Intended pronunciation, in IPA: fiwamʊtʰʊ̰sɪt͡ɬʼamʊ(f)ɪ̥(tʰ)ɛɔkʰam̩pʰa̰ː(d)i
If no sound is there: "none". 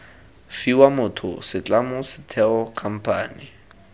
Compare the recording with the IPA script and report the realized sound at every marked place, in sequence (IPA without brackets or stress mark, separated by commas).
s, tʰ, n